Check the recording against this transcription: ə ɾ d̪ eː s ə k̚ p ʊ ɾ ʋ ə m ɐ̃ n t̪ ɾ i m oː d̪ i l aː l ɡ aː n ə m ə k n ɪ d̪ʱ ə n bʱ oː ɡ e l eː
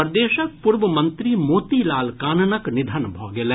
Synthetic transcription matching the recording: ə ɾ d̪ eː ʃ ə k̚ p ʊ ɾ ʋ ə m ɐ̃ n t̪ ɾ i m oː t̪ i l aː l k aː n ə n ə k n ɪ d̪ʱ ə n bʱ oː ɡ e l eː